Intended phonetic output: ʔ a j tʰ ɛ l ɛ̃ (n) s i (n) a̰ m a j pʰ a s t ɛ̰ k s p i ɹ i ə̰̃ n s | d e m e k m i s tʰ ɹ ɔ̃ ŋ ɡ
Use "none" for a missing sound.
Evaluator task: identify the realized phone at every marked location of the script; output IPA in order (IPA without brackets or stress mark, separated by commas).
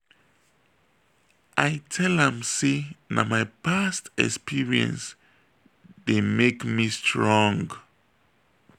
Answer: m, n